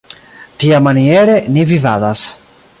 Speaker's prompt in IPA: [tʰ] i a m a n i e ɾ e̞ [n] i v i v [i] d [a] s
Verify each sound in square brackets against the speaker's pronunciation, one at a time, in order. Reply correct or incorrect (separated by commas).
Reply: incorrect, correct, incorrect, correct